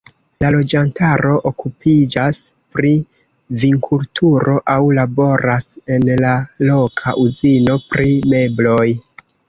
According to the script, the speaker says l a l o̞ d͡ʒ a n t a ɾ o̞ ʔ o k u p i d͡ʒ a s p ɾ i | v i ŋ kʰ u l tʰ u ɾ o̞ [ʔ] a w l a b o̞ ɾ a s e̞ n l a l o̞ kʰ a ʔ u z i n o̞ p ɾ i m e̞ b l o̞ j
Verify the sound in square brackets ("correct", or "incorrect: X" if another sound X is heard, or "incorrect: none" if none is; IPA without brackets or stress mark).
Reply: correct